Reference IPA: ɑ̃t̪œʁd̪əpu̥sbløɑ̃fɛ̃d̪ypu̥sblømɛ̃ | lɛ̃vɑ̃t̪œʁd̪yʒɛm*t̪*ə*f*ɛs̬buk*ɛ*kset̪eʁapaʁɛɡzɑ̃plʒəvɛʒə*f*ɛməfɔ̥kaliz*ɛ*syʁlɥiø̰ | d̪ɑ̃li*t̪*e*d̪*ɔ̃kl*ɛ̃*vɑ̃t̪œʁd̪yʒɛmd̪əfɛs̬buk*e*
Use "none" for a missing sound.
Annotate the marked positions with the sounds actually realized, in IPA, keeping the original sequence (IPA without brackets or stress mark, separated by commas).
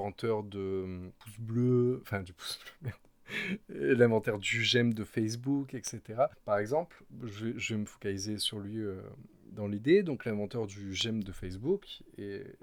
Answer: d̪, f, ɛ, v, e, d̪, d̪, ɛ̃, e